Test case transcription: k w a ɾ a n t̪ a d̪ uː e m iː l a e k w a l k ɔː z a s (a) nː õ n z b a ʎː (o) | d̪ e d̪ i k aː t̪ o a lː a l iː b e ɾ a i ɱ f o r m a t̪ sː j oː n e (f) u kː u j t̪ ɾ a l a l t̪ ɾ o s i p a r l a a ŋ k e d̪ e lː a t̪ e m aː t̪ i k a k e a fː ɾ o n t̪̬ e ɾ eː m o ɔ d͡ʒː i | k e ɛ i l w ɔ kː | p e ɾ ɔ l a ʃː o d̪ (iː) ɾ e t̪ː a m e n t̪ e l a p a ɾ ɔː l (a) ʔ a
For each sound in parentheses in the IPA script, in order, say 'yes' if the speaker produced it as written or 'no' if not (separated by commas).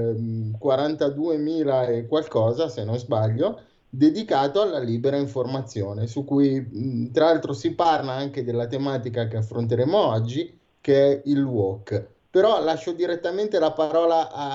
no, yes, no, no, yes